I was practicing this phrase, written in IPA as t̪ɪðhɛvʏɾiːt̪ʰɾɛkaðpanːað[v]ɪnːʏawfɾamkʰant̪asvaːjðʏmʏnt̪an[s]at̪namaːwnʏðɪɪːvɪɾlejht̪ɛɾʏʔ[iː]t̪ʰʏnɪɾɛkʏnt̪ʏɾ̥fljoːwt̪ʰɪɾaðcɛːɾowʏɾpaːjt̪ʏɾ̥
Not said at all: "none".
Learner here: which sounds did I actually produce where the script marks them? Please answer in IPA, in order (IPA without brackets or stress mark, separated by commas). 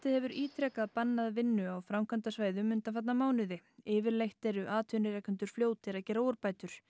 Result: v, f, aː